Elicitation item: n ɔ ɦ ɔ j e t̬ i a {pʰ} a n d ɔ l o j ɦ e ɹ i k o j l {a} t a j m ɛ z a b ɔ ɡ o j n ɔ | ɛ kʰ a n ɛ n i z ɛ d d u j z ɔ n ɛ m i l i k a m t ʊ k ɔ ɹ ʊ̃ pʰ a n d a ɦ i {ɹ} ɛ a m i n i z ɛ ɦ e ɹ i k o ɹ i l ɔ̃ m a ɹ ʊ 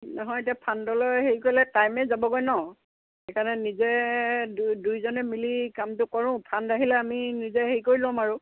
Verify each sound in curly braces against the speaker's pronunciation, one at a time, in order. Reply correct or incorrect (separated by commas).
correct, incorrect, incorrect